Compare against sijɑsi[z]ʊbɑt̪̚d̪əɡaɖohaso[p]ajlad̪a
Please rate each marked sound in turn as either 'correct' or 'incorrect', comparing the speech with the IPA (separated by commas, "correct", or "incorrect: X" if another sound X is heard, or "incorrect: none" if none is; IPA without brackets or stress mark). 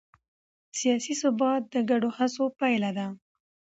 incorrect: s, correct